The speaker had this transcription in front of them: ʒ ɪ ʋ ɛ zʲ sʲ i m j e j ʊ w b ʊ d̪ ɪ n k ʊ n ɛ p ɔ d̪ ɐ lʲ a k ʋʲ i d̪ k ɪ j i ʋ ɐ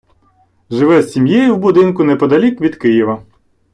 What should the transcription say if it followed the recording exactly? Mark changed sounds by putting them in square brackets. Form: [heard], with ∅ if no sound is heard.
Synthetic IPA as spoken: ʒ ɪ ʋ ɛ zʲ sʲ i m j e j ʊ w b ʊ d̪ ɪ n k ʊ n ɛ p ɔ d̪ ɐ lʲ [i] k ʋʲ i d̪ k ɪ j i ʋ ɐ